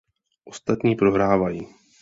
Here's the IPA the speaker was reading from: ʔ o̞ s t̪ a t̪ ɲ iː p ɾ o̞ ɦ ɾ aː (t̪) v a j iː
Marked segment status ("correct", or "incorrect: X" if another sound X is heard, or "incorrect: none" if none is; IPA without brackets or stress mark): incorrect: none